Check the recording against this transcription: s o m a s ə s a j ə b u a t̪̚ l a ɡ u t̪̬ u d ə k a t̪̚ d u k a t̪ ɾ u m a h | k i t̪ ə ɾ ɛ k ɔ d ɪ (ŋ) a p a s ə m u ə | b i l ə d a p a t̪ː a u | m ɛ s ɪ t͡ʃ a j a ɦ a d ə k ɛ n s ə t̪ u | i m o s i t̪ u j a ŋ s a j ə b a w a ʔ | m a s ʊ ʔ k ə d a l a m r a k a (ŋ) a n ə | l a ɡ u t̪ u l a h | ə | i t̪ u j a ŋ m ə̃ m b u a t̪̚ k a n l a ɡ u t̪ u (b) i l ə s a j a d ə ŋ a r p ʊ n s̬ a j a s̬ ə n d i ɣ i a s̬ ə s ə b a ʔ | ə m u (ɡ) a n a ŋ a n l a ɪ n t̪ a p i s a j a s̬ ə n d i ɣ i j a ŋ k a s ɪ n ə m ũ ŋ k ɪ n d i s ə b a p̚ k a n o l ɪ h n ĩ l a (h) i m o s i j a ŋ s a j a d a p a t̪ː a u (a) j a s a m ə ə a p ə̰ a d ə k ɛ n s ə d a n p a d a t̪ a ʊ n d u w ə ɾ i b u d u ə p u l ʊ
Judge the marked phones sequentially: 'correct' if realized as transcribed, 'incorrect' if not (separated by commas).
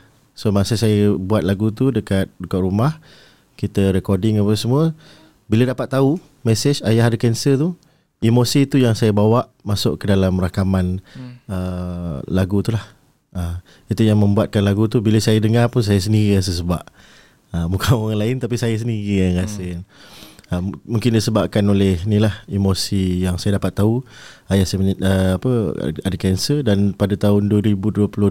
correct, incorrect, correct, incorrect, correct, correct